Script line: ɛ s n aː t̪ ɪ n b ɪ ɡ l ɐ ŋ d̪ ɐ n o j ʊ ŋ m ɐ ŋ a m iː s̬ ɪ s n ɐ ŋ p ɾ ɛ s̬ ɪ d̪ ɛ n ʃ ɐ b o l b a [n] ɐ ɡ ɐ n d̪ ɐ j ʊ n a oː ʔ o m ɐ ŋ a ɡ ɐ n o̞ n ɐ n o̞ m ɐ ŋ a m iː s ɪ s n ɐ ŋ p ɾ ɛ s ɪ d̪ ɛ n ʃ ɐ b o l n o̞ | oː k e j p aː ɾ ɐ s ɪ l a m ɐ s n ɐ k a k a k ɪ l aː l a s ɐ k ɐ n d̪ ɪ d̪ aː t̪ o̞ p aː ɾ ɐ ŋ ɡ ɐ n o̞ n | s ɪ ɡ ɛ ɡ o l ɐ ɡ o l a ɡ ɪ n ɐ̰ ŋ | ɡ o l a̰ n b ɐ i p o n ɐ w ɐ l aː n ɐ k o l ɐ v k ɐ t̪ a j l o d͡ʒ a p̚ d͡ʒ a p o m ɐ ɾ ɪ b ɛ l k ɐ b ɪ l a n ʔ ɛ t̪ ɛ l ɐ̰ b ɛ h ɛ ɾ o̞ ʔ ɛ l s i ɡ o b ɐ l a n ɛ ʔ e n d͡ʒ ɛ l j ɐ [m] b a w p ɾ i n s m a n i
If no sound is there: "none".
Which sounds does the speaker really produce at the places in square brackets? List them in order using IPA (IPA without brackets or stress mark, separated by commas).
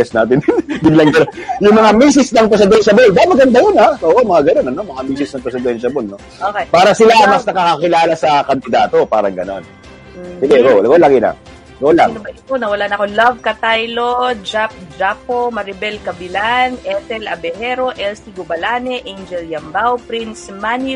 m, m